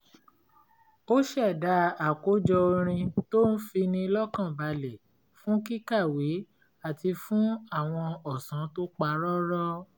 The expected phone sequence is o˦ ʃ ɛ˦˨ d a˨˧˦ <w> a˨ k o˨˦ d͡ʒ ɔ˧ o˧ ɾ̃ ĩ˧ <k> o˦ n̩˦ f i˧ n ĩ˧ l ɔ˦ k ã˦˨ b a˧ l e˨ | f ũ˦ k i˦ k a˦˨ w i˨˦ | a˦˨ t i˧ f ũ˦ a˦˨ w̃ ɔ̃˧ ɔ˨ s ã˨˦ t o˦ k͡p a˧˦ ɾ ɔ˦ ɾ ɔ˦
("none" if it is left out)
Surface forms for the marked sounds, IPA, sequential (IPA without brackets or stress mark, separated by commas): none, t